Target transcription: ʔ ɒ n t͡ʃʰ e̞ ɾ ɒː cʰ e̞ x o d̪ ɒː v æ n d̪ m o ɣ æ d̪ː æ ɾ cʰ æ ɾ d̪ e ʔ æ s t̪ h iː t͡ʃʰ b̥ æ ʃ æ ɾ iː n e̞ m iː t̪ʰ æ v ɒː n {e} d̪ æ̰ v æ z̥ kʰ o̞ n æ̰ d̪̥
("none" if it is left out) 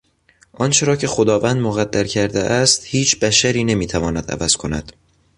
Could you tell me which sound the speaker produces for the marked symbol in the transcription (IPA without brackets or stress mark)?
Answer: æ